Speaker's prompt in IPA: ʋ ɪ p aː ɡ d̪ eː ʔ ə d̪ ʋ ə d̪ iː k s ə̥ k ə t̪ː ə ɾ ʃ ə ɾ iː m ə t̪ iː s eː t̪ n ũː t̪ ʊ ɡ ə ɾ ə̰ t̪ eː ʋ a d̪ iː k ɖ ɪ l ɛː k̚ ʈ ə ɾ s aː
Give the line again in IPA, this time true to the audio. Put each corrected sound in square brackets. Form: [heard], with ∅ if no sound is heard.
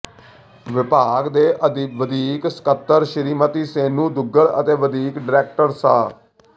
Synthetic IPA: ʋ ɪ p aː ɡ d̪ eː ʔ ə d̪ ʋ ə d̪ iː k s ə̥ k ə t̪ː ə ɾ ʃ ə ɾ iː m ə t̪ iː s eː [∅] n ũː [d̪] ʊ ɡ ə ɾ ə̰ t̪ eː ʋ [ə] d̪ iː k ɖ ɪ [ɾ] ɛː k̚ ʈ ə ɾ s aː